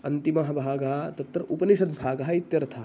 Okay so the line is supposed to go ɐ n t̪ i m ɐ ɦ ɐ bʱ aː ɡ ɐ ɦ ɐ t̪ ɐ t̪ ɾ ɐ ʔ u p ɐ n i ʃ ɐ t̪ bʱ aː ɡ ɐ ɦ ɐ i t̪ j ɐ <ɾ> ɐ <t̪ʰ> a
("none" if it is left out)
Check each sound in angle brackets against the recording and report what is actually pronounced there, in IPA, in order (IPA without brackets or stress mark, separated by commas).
ɾ, t̪ʰ